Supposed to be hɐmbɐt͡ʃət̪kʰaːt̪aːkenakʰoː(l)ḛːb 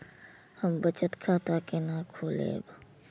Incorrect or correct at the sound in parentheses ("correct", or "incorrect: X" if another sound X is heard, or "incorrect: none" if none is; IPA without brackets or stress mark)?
correct